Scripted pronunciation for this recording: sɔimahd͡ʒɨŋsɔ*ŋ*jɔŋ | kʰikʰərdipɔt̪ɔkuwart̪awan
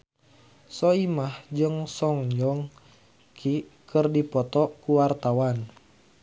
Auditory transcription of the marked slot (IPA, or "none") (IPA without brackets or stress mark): ŋ